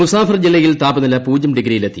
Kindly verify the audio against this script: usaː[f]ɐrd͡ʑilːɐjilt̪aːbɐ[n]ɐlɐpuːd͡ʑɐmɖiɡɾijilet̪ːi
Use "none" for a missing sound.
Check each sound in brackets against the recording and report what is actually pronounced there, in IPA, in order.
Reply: f, n

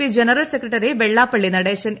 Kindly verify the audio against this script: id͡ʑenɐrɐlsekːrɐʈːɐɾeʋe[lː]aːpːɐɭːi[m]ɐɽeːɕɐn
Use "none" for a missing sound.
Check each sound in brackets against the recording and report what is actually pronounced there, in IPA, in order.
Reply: ɭː, n

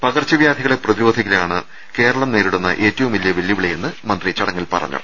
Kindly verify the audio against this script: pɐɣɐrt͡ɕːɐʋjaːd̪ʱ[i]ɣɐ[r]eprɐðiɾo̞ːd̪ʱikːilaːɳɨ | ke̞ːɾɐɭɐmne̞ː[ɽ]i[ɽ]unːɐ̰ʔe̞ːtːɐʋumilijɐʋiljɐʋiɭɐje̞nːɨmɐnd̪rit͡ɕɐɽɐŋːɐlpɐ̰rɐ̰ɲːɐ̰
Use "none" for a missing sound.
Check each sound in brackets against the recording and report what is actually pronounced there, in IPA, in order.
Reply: i, ɭ, ɾ, ɽ

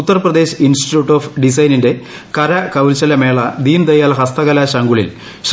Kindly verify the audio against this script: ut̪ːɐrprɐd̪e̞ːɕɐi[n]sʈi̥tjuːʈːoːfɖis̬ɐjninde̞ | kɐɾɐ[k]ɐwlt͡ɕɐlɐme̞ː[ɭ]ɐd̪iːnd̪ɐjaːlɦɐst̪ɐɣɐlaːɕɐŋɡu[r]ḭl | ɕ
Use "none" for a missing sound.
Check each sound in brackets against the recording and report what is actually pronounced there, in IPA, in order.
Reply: n, k, ɭ, ɭ

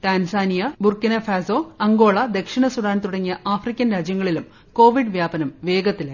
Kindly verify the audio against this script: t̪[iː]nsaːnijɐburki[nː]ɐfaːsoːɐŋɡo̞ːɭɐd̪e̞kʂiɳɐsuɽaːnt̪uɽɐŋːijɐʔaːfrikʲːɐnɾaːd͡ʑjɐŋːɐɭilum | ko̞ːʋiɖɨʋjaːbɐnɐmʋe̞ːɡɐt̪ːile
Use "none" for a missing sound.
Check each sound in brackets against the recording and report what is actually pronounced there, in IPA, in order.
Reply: aː, n

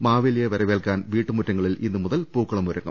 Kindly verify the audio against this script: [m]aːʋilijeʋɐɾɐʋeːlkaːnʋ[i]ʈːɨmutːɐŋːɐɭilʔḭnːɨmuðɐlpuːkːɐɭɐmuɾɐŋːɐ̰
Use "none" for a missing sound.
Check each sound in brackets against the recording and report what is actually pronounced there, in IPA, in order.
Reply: m, iː

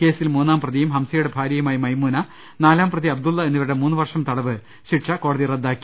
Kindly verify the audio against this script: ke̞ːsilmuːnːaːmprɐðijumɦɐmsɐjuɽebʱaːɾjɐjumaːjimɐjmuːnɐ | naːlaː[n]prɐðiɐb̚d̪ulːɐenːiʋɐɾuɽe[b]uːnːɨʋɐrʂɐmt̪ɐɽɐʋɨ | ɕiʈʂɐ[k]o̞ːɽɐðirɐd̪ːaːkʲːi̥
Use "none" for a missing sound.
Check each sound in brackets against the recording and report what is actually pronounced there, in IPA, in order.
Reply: m, m, k

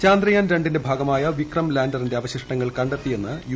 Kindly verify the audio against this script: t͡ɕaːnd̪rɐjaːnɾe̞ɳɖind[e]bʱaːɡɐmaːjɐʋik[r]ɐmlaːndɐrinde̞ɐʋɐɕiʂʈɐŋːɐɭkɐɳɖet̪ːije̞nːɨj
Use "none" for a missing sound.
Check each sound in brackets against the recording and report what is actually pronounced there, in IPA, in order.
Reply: e, r

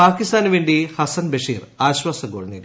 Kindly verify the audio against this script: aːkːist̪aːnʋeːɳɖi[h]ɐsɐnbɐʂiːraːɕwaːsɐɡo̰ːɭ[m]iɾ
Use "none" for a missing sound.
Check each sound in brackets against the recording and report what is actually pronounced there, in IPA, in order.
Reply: h, n

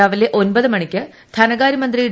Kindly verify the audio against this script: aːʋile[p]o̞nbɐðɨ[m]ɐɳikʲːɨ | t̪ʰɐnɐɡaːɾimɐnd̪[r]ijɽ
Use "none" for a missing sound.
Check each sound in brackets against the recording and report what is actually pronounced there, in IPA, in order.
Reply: ʔ, m, r

